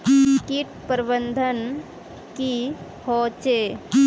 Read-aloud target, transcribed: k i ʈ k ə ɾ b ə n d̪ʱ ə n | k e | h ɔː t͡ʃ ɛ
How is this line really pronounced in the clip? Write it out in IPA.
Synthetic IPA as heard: k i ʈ p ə ɾ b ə n d̪ʱ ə n | k i | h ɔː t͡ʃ e